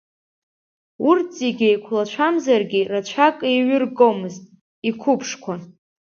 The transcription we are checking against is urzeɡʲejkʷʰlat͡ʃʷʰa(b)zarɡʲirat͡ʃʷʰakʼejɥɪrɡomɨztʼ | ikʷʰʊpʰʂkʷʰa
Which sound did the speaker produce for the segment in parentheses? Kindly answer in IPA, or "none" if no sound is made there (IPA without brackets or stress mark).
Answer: m